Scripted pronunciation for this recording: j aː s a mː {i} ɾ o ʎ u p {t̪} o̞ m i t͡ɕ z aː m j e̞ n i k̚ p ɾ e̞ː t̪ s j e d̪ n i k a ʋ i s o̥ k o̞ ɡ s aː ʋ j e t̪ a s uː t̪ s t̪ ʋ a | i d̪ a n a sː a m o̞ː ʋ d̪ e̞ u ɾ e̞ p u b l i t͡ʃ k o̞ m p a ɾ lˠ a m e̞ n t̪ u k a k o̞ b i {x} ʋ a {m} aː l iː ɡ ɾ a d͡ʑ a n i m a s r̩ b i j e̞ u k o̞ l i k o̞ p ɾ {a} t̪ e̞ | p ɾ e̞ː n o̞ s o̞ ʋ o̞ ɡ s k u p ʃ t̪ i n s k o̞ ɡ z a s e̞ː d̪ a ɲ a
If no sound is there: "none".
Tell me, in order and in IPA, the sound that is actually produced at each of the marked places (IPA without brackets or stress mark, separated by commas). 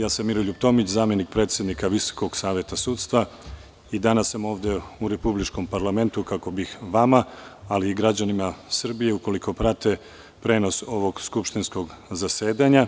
i, t̪, x, m, a